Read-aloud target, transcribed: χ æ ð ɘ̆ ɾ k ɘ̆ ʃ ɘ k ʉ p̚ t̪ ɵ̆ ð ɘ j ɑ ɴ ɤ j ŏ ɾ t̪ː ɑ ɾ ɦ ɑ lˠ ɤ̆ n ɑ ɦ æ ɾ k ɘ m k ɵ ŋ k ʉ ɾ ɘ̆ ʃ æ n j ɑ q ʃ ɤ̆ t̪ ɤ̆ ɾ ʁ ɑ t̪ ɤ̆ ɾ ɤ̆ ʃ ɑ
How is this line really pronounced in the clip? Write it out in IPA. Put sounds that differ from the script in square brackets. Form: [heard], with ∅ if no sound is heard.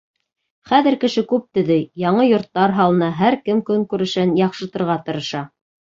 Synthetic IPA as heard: χ æ ð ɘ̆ ɾ k ɘ̆ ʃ ɘ k ʉ p̚ t̪ ɵ̆ ð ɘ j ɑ ɴ ɤ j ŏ ɾ t̪ː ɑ ɾ ɦ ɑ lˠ ɤ̆ n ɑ ɦ æ ɾ k ɘ m k ɵ ŋ k ʉ ɾ ɘ̆ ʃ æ n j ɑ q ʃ ɤ̆ t̪ ɤ̆ ɾ ʁ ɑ t̪ ɤ̆ ɾ ɤ̆ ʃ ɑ